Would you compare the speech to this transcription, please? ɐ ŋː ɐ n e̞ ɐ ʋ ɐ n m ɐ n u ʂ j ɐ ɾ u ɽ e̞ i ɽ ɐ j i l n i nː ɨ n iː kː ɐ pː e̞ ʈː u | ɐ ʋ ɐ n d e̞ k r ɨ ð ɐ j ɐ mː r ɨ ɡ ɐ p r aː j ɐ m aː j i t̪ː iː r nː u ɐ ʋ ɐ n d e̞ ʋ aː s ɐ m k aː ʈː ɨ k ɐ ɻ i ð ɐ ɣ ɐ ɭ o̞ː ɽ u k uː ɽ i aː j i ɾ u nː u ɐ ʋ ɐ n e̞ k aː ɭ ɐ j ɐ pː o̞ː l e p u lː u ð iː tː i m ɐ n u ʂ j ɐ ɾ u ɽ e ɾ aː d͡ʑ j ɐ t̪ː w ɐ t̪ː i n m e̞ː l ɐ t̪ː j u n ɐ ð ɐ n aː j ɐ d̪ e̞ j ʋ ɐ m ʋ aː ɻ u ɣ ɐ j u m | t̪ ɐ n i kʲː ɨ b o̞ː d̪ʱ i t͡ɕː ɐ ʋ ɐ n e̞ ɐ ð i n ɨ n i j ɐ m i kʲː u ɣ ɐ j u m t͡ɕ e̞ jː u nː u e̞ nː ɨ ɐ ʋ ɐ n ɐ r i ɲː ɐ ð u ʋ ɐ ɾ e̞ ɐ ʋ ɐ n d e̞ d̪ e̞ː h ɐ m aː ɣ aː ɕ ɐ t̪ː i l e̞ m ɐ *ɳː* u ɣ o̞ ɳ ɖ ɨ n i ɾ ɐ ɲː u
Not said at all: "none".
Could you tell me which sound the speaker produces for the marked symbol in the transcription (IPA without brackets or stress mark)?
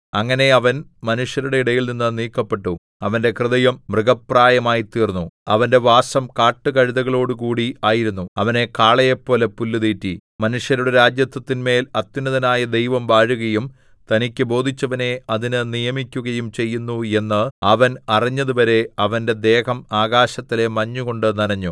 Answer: ɲː